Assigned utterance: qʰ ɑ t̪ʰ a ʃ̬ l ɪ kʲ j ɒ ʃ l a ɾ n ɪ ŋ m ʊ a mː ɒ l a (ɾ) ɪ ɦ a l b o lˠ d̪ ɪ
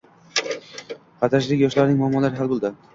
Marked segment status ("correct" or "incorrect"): correct